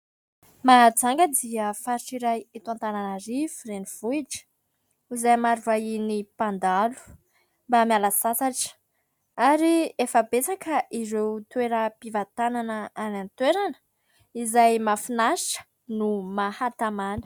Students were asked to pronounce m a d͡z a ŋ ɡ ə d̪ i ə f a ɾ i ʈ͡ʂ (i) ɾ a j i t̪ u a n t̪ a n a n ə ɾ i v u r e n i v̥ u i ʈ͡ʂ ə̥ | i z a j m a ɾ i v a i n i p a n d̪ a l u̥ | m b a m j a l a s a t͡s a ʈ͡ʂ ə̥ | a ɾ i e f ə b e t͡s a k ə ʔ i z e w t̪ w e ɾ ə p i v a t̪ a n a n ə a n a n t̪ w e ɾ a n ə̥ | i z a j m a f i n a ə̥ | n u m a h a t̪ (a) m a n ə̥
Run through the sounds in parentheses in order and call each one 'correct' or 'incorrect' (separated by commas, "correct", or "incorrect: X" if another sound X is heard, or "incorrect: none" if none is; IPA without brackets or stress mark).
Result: correct, correct